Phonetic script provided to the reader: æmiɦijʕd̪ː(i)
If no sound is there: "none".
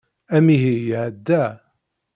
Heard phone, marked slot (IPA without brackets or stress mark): æ